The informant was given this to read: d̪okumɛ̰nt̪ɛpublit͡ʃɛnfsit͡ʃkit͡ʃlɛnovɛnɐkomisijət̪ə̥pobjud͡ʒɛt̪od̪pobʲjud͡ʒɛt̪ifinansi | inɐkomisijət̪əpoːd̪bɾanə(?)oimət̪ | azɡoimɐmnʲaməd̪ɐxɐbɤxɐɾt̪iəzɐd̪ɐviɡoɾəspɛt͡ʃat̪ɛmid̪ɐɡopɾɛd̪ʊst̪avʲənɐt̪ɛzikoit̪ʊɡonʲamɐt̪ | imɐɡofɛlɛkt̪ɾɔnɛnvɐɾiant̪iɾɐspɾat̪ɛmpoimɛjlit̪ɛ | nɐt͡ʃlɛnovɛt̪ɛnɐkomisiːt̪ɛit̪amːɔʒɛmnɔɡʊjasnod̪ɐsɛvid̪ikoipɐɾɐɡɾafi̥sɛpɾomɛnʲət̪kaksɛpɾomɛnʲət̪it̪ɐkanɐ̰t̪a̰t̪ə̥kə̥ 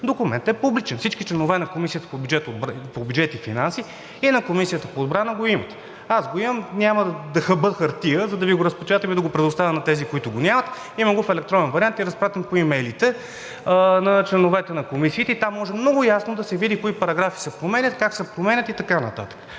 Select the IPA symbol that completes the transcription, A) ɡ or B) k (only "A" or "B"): A